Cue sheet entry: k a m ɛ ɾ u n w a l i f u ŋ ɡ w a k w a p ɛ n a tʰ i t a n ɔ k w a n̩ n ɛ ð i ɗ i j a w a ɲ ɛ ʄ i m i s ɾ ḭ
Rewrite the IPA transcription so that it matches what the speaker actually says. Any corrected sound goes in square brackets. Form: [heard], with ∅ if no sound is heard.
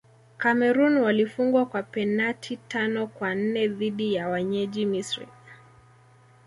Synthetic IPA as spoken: k a m ɛ ɾ u n w a l i f u ŋ ɡ w a k w a p ɛ n a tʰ i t a n ɔ k w a n̩ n ɛ ð i ɗ i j a w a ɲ ɛ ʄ i m i s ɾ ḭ